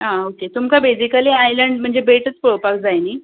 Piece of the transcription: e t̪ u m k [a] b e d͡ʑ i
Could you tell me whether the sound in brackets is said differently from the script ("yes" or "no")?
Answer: no